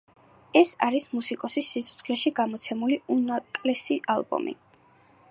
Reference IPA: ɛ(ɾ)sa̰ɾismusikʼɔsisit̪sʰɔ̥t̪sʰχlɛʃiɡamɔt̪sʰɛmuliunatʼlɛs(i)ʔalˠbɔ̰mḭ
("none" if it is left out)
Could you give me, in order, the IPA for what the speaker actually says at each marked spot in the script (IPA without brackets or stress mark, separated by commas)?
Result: none, i